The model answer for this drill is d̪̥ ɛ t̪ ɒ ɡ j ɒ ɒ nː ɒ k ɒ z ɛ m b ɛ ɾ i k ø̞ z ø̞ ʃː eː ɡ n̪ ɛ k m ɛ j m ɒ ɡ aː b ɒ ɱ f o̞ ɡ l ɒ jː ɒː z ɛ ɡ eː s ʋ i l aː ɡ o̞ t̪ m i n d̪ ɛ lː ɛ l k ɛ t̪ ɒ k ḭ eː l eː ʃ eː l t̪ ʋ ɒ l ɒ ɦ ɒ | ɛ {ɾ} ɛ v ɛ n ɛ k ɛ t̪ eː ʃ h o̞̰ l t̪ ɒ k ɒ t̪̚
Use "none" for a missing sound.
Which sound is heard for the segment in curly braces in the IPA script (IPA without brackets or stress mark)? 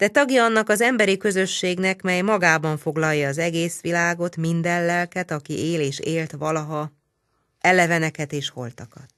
l